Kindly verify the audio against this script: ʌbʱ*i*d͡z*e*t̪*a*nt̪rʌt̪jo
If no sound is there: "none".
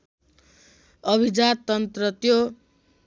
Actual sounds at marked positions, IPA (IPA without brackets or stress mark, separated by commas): i, a, ʌ